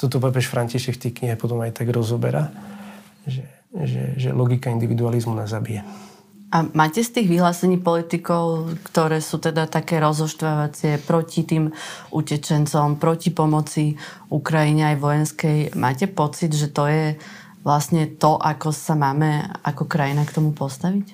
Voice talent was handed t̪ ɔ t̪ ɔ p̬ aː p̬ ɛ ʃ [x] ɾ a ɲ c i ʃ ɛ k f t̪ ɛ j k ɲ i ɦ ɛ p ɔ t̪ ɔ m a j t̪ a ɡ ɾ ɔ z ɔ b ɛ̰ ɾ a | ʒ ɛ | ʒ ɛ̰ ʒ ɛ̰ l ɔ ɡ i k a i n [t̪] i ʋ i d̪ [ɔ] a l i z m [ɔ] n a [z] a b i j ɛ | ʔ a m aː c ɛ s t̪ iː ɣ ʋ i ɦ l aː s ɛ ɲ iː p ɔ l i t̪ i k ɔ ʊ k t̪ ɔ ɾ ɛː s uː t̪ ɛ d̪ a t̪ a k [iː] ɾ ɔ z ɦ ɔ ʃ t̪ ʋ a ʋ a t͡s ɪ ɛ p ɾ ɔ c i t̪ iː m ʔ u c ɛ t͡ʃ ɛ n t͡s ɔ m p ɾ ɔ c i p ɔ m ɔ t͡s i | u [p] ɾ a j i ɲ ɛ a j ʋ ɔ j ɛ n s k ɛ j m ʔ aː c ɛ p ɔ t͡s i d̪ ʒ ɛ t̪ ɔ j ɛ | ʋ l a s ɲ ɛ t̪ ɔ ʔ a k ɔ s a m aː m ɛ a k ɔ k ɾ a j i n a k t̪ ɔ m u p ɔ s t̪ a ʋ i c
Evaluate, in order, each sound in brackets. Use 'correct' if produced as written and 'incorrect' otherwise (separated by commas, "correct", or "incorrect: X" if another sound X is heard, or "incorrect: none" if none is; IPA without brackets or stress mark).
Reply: incorrect: f, incorrect: d̪, incorrect: u, incorrect: u, correct, incorrect: ɛː, incorrect: k